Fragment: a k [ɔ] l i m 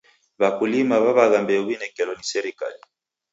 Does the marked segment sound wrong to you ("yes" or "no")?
yes